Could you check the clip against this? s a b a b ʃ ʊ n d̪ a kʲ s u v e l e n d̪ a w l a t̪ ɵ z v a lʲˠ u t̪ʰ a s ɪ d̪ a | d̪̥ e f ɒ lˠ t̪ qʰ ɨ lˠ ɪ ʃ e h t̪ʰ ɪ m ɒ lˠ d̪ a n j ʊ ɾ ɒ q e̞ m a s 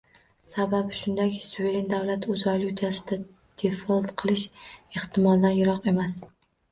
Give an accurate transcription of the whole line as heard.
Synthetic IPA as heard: s a b a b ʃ ʊ n d̪ a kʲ s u v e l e n d̪ a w l a t̪ ɵ z v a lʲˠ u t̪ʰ a s ɪ d̪ a | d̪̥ e f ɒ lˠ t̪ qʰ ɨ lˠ ɪ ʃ e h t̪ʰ ɪ m ɒ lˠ d̪ a n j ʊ ɾ ɒ q e̞ m a s